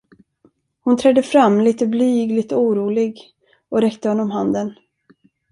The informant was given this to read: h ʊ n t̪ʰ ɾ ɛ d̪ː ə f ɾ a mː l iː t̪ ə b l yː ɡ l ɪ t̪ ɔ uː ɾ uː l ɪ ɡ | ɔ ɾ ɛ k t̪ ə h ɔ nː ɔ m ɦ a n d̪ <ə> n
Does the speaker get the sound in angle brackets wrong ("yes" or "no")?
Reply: no